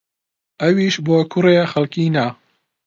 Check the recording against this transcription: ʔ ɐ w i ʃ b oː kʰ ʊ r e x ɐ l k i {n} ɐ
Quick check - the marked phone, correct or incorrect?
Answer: correct